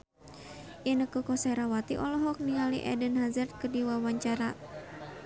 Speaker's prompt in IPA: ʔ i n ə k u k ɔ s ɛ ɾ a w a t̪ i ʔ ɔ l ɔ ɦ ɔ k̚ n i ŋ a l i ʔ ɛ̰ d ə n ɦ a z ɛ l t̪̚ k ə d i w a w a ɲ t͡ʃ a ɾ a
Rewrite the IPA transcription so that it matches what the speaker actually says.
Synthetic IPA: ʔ i n ə k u k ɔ s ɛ ɾ a w a t̪ i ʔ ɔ l ɔ ɦ ɔ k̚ n i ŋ a l i ʔ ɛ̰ d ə n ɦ a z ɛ r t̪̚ k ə d i w a w a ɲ t͡ʃ a ɾ a